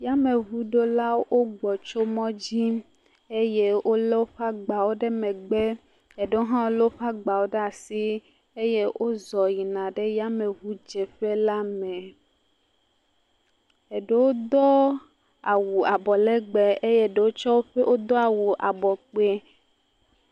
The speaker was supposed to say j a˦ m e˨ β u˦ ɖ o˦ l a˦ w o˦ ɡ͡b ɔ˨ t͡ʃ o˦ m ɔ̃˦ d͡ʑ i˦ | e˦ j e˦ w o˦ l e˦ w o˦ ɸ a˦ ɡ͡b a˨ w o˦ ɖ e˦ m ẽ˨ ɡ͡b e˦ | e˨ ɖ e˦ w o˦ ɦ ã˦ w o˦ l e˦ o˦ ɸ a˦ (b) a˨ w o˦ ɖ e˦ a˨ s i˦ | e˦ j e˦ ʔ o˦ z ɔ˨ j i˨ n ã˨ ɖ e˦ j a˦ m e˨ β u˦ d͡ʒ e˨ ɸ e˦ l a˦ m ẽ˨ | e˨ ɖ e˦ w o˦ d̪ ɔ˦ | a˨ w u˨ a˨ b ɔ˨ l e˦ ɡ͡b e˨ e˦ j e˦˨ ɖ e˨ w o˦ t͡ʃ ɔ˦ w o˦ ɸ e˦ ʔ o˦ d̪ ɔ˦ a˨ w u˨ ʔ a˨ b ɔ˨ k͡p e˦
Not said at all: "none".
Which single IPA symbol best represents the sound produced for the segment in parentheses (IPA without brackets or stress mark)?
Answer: ɡ͡b